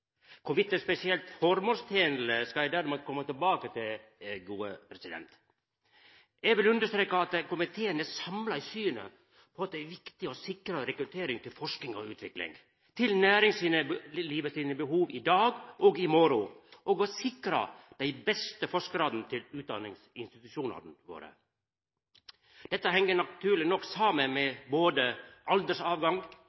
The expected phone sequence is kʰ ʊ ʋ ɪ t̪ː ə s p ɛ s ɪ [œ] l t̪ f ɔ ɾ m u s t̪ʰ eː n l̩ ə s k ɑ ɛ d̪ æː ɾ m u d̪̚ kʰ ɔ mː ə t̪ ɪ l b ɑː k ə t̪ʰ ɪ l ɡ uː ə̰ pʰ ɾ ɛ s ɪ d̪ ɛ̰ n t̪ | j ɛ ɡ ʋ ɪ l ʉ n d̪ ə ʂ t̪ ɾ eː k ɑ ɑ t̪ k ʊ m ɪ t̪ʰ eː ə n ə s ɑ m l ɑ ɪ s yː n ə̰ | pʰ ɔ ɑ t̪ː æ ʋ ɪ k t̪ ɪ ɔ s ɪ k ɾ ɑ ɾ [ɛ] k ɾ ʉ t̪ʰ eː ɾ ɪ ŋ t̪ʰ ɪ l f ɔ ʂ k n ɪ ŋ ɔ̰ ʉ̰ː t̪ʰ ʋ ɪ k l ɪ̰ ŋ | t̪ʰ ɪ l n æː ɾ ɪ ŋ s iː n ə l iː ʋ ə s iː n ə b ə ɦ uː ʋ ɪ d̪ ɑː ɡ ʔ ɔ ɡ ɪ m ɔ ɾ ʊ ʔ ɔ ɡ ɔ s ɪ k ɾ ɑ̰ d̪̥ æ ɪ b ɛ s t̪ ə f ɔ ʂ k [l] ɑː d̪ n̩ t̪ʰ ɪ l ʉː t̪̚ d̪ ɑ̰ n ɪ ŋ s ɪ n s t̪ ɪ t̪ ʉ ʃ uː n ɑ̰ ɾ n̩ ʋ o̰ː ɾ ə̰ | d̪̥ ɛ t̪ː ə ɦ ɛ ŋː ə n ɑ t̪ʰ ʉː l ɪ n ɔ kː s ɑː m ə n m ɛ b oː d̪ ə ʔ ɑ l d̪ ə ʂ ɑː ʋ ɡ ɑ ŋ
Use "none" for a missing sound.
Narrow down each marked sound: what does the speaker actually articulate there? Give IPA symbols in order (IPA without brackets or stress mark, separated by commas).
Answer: ɛ, ɛ, ɾ